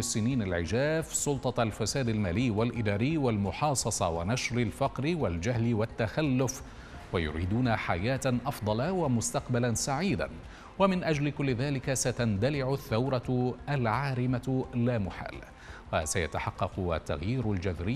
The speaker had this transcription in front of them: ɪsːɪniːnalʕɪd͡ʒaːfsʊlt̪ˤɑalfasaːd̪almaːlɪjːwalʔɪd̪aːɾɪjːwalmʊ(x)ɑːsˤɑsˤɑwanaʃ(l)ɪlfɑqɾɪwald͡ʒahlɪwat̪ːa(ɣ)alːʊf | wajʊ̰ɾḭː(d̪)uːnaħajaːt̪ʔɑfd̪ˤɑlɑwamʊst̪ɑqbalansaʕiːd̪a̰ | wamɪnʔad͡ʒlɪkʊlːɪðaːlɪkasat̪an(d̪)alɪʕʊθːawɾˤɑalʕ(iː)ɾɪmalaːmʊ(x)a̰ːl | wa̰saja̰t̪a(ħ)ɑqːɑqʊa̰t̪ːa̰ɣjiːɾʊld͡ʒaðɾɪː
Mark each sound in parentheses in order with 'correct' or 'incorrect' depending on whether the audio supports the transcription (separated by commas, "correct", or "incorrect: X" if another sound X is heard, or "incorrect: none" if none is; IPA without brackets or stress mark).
incorrect: ħ, incorrect: ɾ, incorrect: x, correct, correct, incorrect: aː, incorrect: ħ, correct